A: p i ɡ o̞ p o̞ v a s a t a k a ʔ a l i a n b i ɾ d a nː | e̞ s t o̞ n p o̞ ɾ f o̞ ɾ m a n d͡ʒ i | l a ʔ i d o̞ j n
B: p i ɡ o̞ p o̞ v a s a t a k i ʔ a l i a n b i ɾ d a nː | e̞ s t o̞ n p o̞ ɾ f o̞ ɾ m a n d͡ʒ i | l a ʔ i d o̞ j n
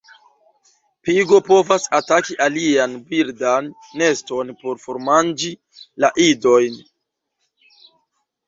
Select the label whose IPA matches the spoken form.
B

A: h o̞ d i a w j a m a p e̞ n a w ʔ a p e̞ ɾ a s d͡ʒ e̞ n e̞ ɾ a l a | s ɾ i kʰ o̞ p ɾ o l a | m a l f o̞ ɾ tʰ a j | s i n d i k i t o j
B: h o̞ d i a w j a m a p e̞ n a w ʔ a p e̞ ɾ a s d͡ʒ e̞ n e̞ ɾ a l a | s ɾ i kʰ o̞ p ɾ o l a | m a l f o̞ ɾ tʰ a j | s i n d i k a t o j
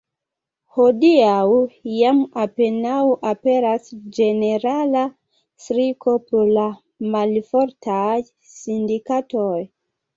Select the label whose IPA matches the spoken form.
B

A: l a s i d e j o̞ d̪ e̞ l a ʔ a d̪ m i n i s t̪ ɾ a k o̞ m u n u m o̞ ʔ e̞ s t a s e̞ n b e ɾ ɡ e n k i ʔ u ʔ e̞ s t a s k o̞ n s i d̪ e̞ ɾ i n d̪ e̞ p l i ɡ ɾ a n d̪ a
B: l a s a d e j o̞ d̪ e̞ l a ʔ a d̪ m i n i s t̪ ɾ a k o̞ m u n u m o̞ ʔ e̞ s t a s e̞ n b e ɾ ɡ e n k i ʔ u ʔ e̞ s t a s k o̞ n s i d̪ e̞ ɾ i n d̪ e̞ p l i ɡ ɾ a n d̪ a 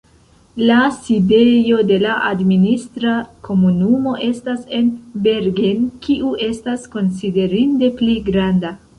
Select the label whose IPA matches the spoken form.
A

